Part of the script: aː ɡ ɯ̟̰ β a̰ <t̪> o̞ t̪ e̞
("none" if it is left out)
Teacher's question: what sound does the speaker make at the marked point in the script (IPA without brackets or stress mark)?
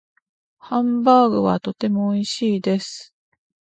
t̪